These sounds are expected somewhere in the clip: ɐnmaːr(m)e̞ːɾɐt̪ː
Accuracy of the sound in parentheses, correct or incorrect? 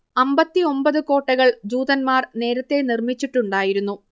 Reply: incorrect: n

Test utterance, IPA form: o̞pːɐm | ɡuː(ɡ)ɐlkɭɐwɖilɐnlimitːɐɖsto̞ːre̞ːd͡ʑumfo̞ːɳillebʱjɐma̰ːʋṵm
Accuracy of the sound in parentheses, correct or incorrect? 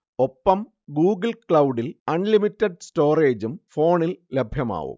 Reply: correct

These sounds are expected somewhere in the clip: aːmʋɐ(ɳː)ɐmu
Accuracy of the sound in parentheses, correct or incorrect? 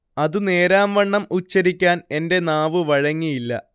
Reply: correct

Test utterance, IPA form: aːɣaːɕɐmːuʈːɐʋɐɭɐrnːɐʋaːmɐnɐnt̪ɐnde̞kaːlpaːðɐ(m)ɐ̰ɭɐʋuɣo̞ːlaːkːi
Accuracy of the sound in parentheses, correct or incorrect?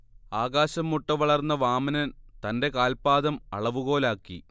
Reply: correct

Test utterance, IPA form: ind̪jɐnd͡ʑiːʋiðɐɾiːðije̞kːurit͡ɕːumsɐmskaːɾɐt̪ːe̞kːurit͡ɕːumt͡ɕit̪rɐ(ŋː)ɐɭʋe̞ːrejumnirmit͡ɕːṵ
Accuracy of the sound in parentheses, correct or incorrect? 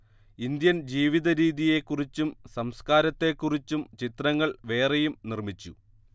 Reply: correct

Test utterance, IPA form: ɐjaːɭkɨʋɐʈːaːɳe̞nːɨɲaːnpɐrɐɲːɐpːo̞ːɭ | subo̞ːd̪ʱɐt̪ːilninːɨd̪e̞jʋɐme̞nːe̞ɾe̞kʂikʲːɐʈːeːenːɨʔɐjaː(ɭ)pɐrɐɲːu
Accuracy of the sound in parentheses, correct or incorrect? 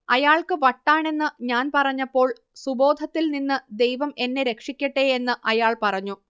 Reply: correct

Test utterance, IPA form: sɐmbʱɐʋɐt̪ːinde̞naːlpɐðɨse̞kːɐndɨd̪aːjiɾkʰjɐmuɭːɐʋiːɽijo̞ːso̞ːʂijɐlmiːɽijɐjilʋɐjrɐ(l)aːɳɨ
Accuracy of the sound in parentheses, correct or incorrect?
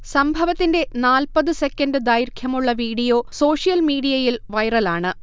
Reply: correct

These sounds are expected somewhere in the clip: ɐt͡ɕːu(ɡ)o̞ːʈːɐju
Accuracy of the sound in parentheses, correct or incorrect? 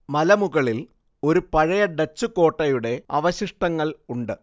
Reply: incorrect: k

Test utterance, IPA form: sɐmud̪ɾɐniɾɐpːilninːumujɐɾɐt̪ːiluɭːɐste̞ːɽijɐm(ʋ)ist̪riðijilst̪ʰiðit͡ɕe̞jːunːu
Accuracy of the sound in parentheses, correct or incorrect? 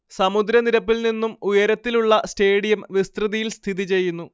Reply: correct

